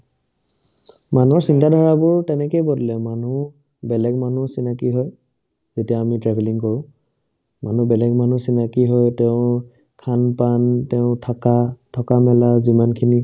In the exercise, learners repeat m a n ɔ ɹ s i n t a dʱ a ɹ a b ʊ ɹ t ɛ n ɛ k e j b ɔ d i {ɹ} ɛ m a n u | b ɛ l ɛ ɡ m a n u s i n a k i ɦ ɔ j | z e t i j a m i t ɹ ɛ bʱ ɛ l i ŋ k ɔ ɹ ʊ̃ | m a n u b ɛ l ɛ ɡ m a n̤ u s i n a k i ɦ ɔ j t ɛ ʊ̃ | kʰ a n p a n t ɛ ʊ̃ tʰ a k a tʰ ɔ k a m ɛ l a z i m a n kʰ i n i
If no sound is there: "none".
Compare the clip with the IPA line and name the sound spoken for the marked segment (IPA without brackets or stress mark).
l